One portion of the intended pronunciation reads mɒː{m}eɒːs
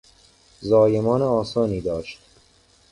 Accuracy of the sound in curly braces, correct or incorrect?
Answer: incorrect